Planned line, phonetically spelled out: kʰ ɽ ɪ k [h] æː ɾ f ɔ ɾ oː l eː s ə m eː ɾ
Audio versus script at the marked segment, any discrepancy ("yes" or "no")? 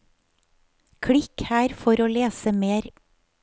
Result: no